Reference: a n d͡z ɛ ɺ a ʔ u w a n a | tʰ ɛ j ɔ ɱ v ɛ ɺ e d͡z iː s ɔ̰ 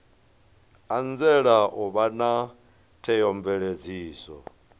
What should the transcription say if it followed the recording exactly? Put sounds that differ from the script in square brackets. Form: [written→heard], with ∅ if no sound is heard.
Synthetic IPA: a n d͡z ɛ ɺ a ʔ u [w→β] a n a | tʰ ɛ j ɔ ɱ v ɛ ɺ e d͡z iː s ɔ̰